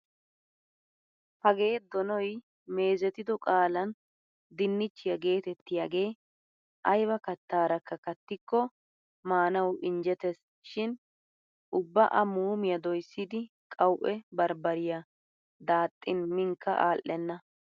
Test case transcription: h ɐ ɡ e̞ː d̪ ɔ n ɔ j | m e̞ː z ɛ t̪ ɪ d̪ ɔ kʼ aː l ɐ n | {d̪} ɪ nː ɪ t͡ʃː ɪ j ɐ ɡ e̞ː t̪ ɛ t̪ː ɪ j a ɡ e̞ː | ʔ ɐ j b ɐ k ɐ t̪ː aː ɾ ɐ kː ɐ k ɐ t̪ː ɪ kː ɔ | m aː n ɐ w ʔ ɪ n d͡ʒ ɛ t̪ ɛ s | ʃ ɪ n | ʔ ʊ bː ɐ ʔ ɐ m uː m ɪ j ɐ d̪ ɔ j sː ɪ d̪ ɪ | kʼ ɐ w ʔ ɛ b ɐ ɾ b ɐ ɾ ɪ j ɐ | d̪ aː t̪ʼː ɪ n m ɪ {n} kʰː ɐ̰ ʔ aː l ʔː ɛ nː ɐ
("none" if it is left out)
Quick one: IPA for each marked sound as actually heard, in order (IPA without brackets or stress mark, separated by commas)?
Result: d̪, ŋ